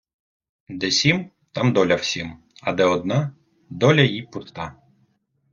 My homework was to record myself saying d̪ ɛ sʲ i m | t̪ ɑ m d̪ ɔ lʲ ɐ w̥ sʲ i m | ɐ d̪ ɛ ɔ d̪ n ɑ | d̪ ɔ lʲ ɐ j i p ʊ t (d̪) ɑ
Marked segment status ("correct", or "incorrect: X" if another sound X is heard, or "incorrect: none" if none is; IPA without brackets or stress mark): incorrect: t̪